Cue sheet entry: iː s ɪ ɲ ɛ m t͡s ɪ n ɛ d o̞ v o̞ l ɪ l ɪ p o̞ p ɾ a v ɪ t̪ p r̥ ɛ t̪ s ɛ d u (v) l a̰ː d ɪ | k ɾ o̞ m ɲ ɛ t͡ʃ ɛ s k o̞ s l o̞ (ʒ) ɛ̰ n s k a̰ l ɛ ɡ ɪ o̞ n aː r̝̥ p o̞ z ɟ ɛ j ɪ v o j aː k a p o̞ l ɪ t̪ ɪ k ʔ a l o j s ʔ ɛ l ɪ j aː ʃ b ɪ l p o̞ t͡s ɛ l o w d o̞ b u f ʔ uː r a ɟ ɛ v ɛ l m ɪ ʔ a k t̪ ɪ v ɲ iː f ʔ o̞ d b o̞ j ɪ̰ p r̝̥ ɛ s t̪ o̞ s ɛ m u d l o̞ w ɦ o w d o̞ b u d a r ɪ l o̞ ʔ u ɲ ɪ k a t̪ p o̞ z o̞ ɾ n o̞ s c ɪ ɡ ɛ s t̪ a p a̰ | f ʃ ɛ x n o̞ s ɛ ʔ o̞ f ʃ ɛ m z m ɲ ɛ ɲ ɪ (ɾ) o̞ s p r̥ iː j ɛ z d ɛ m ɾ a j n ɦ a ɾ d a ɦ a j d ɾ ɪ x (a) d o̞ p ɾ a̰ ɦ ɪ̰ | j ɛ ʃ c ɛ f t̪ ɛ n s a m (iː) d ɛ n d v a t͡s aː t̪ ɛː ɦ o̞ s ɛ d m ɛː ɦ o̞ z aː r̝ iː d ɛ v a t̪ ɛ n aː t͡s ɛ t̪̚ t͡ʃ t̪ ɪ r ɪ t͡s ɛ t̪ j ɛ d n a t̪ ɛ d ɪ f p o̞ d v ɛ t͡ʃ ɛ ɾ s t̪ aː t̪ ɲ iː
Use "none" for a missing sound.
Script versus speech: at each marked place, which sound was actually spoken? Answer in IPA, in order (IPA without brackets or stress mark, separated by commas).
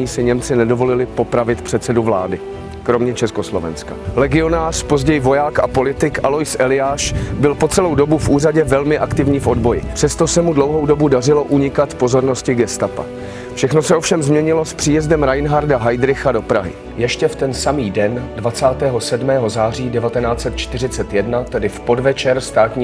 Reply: v, v, l, a, iː